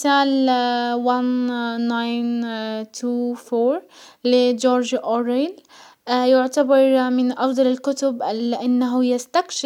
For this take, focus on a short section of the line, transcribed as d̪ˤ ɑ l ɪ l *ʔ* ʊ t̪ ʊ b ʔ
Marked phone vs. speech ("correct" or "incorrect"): incorrect